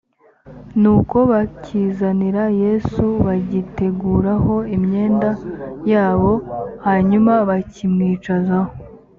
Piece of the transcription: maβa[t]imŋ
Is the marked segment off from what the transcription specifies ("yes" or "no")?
yes